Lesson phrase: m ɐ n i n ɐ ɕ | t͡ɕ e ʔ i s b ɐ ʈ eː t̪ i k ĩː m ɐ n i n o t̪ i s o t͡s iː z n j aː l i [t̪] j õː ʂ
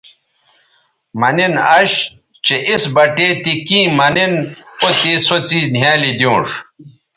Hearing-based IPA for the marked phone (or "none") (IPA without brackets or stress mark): d̪